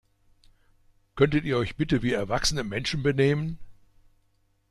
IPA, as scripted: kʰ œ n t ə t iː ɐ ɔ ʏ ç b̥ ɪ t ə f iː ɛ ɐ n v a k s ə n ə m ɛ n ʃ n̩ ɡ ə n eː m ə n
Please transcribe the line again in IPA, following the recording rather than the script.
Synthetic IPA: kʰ œ n t ə t iː ɐ ɔ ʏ ç b̥ ɪ t ə v iː ɛ ɐ v a k s ə n ə m ɛ n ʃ n̩ b ə n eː m ə n